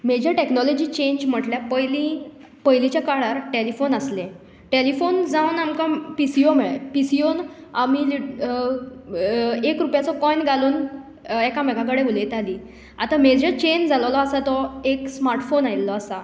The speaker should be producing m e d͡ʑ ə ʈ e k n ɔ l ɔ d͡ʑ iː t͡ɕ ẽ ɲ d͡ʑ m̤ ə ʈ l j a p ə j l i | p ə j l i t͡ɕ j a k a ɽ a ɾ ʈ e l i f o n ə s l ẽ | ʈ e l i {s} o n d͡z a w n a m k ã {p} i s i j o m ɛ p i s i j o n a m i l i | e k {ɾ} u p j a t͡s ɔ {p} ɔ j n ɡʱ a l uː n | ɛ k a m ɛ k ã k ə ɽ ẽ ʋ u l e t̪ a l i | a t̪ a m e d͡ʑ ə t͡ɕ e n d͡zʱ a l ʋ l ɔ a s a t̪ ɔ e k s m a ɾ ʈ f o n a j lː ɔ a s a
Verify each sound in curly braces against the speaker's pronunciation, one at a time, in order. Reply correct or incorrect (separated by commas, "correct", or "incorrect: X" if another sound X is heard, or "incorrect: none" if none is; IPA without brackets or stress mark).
incorrect: f, correct, correct, incorrect: k